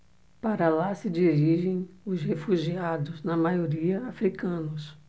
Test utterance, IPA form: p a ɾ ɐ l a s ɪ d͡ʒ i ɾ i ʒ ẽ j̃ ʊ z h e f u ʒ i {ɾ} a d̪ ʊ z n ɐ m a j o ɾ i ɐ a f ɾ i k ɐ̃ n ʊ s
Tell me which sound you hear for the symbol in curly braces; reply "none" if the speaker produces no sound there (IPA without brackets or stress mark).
none